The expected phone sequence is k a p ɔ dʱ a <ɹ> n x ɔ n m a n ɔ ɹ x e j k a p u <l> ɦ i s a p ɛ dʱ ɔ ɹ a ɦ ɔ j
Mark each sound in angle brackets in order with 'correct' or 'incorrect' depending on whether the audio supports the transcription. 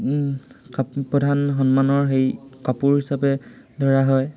incorrect: none, incorrect: ɹ

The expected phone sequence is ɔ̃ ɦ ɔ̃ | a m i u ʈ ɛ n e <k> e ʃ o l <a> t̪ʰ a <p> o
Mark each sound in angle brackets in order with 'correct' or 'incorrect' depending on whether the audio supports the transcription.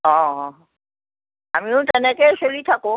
correct, incorrect: i, incorrect: k

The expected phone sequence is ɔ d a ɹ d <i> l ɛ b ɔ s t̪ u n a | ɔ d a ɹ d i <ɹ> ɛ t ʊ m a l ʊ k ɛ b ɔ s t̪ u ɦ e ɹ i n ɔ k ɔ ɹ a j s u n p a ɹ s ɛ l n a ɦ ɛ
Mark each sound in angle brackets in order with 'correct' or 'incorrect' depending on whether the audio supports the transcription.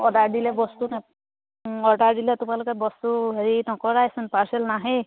correct, incorrect: l

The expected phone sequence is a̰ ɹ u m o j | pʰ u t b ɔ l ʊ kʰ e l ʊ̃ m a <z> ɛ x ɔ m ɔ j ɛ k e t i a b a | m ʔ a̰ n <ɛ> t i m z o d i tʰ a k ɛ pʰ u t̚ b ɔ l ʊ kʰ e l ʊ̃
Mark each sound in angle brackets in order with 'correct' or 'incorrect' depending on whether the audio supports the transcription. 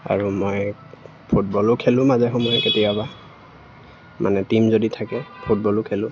correct, correct

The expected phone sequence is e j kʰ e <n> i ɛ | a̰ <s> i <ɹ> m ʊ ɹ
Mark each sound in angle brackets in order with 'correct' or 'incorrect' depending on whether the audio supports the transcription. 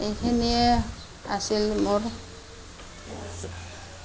correct, correct, incorrect: l

